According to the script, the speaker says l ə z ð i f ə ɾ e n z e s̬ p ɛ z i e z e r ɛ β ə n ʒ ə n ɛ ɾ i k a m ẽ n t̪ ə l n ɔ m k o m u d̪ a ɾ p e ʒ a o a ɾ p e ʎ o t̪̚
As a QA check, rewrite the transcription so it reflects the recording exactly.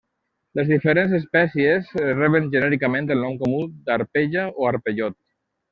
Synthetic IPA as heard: l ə z ð i f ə ɾ e n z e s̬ p ɛ s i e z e r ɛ β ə n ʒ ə n ɛ ɾ i k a m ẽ n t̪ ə l n ɔ m k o m u d̪ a ɾ p e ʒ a o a ɾ p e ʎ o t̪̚